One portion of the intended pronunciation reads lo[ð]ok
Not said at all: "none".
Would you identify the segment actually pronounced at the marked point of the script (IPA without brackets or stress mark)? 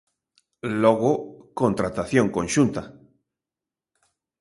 ɣ